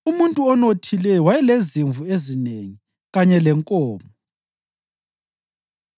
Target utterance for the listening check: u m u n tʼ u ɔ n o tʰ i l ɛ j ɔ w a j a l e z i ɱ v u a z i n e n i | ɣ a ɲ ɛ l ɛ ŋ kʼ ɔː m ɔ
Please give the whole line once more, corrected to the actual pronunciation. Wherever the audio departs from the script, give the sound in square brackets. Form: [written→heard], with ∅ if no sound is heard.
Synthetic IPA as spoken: u m u n tʼ u ɔ n o tʰ i l ɛ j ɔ w a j [a→ɛ] l e z i ɱ v u [a→e] z i n e [n→ŋ] i | ɣ a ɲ ɛ l ɛ ŋ kʼ ɔː m ɔ